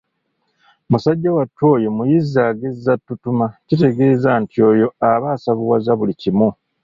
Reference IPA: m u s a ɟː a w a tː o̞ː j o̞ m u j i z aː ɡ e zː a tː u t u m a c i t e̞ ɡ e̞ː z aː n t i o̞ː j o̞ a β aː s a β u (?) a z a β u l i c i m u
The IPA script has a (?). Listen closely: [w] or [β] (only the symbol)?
w